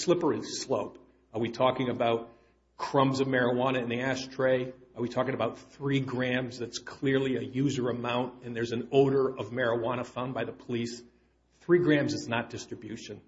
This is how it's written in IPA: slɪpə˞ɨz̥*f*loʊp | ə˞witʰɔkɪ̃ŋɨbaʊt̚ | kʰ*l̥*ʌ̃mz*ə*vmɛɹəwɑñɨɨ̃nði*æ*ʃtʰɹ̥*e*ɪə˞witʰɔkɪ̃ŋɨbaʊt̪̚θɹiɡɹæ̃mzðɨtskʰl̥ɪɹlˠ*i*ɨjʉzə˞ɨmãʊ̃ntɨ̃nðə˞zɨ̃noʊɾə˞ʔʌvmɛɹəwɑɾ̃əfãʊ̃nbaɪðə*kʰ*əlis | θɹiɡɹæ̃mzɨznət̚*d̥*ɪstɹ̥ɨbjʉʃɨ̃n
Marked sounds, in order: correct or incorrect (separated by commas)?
incorrect, incorrect, incorrect, correct, correct, correct, incorrect, correct